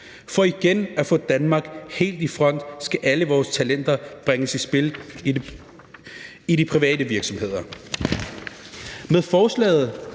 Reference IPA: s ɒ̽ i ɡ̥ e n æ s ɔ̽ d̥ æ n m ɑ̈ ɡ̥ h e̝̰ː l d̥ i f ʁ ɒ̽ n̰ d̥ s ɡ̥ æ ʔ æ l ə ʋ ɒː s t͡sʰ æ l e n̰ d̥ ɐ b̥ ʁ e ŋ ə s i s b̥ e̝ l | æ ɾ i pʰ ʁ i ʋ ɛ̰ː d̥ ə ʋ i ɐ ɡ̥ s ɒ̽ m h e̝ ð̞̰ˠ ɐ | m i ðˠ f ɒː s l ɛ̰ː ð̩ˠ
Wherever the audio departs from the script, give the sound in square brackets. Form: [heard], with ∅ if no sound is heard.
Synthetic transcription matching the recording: [f] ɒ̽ i ɡ̥ e n æ [f] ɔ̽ d̥ æ n m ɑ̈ ɡ̥ h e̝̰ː l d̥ i f ʁ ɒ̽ n̰ d̥ s ɡ̥ æ ʔ æ l ə ʋ ɒː s t͡sʰ æ l e n̰ d̥ ɐ b̥ ʁ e ŋ ə s i s b̥ e̝ l | [i] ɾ i pʰ ʁ i ʋ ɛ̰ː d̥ ə ʋ i ɐ ɡ̥ s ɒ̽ m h e̝ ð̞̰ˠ ɐ | m [e] ðˠ f ɒː s l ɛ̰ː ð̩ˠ